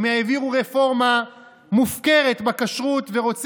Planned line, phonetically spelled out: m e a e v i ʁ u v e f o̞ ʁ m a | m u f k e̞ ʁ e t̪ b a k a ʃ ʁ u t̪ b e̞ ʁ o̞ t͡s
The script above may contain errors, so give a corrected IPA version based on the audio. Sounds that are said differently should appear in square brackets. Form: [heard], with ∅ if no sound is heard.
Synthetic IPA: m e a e v i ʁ u [ʁ] e f o̞ ʁ m a | m u f k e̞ ʁ e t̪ b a k a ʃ ʁ u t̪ [v] e̞ ʁ o̞ t͡s

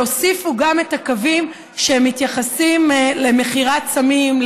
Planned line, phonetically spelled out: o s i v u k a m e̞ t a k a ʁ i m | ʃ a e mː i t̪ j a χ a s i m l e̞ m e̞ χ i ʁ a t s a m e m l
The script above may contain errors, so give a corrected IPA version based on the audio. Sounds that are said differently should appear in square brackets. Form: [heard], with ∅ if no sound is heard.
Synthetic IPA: o s i [f] u [ɡ] a m e̞ t a k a [v] i m | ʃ [e] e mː i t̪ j a χ a s i m l e̞ m e̞ χ i ʁ a t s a m [i] m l

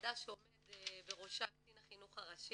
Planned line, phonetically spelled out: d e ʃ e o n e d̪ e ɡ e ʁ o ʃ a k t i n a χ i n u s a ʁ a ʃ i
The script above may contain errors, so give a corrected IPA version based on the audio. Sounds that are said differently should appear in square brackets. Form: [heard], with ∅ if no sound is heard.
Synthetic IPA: d [a] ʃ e o [m] e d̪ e [b] e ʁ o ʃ a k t i n a χ i n u [χ] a ʁ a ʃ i

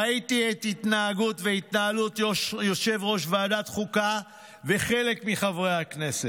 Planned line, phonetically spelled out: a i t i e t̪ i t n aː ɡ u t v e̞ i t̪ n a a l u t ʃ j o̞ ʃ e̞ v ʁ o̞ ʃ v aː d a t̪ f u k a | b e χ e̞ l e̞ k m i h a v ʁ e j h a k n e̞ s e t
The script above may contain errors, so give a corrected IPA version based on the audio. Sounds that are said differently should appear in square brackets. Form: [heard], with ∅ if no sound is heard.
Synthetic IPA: a i t i e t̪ i t n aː ɡ u t v e̞ i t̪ n a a l u t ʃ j o̞ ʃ e̞ v ʁ o̞ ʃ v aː d a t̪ [χ] u k a | [v] e χ e̞ l e̞ k m i [χ] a v ʁ e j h a k n e̞ s e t

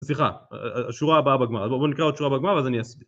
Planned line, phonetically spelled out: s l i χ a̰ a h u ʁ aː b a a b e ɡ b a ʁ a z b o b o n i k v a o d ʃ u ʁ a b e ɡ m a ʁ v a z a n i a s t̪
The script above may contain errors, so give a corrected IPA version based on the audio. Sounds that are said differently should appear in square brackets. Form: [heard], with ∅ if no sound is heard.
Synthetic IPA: s l i χ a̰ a [ʃ] u ʁ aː b a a b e ɡ [m] a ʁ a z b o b o n i k [ʁ] a o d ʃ u ʁ a b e ɡ m a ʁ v a z a n i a s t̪

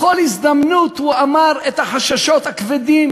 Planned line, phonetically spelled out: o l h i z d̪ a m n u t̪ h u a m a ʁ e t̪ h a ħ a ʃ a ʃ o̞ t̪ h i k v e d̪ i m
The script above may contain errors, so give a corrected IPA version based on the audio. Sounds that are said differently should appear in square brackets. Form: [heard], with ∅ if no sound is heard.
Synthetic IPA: o l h i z d̪ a m n u t̪ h u a m a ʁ e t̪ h a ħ a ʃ a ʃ o̞ t̪ h [a] k v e d̪ i m

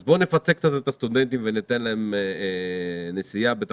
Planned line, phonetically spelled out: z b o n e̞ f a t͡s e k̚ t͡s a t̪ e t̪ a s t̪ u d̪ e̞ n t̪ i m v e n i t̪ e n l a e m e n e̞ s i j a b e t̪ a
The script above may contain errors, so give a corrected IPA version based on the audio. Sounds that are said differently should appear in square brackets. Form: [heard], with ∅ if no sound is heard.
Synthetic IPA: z b o n e̞ f a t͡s e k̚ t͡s a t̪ e t̪ a s t̪ u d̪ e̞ n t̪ i m v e n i t̪ e n l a e m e n e̞ s i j a b e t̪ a

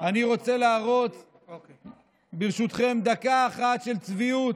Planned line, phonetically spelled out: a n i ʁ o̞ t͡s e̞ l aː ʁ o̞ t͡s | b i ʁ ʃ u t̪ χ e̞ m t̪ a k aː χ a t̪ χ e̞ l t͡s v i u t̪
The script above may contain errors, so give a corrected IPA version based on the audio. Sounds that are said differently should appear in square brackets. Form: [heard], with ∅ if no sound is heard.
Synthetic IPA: a n i ʁ o̞ t͡s e̞ l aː ʁ o̞ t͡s | b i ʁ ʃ u t̪ χ e̞ m [d̪] a k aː χ a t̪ [ʃ] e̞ l t͡s v i u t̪

